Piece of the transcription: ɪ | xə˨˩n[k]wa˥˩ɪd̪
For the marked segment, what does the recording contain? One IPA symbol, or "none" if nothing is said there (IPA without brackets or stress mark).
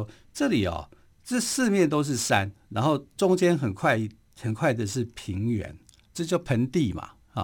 kʰ